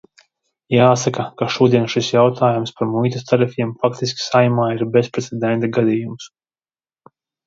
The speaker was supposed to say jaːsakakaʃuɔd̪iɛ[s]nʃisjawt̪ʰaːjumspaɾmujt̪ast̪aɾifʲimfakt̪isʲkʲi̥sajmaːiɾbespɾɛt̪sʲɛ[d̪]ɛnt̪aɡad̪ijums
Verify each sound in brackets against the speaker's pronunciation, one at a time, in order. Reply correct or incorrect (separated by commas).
incorrect, correct